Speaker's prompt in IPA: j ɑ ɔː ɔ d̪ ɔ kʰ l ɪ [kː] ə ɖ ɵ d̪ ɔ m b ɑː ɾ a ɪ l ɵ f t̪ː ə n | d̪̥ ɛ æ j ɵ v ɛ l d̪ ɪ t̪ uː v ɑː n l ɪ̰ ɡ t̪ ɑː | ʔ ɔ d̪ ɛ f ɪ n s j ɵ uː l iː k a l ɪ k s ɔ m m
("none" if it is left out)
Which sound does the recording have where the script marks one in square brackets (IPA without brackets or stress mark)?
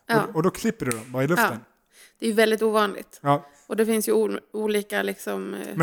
pː